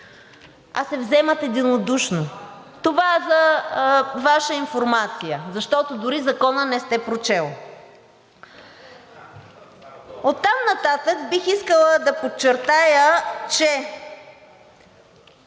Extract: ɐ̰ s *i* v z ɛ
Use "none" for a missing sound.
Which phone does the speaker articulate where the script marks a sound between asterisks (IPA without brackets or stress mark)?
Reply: ɛ